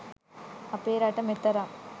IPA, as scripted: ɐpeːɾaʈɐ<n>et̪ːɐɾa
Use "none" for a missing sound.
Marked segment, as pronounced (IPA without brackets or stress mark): m